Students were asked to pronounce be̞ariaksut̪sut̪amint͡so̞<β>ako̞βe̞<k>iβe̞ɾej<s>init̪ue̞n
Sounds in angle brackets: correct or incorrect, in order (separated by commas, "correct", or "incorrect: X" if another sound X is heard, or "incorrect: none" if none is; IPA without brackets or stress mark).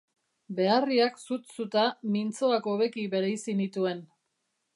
incorrect: none, correct, correct